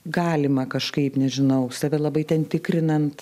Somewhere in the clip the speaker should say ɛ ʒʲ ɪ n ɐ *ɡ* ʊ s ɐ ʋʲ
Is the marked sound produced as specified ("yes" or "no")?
no